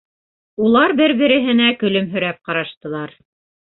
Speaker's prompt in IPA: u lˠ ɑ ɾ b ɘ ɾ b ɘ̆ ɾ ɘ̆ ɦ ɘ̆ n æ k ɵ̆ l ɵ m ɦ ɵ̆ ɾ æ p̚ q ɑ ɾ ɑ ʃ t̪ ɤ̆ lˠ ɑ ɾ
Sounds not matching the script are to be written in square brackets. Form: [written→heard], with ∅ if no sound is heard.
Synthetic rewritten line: u lˠ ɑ ɾ b ɘ ɾ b ɘ̆ ɾ ɘ̆ ɦ ɘ̆ n æ k ɵ̆ l ɵ m ɦ ɵ̆ ɾ æ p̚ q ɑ ɾ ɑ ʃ t̪ ɤ̆ lˠ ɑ ɾ